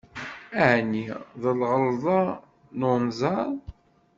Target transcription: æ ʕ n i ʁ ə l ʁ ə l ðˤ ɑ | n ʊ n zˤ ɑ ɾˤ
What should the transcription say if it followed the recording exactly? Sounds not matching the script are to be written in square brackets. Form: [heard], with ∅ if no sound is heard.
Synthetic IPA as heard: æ ʕ n i [ð] ə l ʁ ə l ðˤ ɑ | n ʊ n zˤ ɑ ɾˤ